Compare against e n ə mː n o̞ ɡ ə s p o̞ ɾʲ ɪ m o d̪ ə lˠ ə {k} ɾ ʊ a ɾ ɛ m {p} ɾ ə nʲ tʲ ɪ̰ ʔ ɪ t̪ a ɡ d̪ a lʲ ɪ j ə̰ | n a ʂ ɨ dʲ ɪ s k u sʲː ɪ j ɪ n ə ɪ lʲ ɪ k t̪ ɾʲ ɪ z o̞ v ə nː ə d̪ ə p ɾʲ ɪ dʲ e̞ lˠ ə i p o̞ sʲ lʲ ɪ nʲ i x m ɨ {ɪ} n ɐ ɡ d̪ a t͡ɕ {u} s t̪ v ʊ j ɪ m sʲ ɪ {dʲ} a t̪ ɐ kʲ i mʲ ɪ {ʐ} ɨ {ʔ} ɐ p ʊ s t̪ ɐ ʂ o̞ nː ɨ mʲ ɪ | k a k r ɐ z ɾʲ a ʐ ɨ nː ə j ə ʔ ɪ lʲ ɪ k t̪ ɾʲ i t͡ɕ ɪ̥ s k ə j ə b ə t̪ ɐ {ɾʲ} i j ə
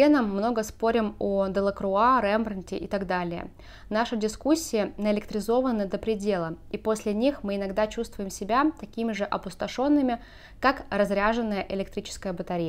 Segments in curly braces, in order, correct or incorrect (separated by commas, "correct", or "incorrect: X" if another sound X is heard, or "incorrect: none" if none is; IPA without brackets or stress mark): correct, incorrect: b, correct, correct, incorrect: bʲ, correct, correct, correct